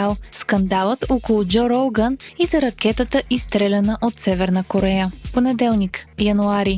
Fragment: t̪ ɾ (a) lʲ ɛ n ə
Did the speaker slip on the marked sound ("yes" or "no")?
yes